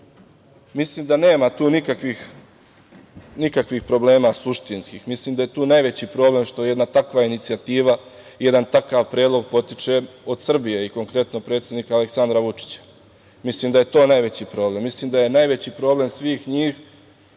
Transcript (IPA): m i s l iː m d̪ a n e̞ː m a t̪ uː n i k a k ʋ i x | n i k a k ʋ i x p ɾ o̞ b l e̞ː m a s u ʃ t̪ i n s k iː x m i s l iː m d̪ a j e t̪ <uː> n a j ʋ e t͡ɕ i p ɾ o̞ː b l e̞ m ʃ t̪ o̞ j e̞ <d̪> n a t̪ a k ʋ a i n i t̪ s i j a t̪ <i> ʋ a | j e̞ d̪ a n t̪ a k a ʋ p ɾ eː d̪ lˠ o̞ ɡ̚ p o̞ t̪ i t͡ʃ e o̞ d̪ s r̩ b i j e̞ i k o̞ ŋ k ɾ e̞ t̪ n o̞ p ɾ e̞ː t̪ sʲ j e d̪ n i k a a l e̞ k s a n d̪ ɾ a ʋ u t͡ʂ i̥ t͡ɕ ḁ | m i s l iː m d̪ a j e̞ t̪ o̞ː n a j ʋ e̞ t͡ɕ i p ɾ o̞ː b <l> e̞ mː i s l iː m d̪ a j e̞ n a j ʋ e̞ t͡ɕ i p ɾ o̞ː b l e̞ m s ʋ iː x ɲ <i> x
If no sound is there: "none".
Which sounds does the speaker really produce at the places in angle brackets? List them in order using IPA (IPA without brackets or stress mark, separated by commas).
uː, d̪, iː, l, iː